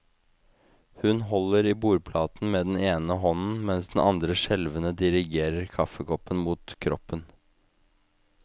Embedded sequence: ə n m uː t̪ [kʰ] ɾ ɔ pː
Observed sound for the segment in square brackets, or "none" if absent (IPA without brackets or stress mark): kʰ